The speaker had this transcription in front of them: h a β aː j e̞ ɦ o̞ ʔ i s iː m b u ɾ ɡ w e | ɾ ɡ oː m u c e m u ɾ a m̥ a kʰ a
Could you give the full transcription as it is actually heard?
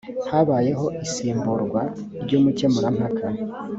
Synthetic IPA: h a β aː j e̞ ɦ o̞ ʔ i s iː m b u ɾ ɡ w a | ɾ ɟ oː m u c e m u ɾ a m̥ a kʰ a